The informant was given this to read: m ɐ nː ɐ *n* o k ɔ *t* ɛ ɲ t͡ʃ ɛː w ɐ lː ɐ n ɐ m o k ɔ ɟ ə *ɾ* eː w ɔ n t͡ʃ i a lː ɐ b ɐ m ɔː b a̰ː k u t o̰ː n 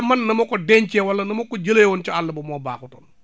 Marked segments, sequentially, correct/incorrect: incorrect, incorrect, incorrect

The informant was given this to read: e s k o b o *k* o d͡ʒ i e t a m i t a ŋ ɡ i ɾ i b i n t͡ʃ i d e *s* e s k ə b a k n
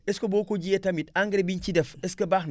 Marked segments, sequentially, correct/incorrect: correct, incorrect

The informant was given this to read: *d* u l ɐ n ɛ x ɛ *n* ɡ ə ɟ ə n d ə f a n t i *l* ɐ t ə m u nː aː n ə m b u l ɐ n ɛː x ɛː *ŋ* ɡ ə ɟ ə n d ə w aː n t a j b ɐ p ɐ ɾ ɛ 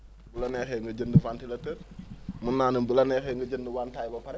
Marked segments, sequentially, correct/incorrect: incorrect, incorrect, correct, correct

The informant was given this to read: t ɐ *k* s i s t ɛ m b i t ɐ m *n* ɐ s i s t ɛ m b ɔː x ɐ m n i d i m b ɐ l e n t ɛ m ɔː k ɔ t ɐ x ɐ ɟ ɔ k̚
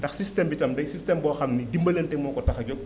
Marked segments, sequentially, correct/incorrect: incorrect, incorrect

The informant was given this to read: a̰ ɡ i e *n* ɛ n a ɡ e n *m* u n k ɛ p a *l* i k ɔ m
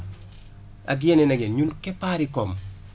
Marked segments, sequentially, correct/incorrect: correct, incorrect, incorrect

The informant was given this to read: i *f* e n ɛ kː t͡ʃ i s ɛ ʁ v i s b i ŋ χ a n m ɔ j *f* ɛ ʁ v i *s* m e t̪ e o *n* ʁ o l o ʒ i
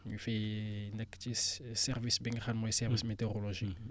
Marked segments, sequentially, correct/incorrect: correct, incorrect, correct, incorrect

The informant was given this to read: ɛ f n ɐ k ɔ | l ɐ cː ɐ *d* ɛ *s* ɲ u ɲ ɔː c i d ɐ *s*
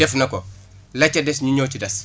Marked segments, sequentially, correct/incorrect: correct, correct, correct

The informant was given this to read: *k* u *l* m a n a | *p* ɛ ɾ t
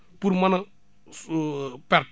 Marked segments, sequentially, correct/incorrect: incorrect, incorrect, correct

